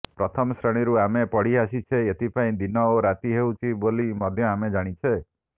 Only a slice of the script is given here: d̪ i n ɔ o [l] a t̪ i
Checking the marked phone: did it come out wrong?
yes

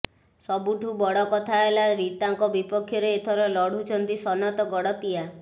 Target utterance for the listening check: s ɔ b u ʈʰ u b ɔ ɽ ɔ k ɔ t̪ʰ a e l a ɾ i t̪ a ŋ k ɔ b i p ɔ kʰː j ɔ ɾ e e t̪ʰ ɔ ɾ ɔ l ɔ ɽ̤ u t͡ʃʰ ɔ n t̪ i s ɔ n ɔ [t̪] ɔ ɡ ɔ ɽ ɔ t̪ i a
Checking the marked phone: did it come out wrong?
no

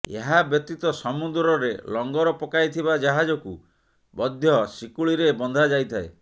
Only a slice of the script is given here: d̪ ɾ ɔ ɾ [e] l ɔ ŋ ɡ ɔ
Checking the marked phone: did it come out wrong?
no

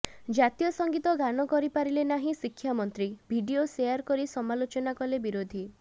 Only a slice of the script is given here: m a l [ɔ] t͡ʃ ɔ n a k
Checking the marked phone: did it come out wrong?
yes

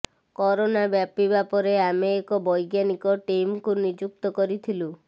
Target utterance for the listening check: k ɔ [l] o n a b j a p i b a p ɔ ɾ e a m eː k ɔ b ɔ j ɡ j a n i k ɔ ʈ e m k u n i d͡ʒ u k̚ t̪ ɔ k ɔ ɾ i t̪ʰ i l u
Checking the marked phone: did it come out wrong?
yes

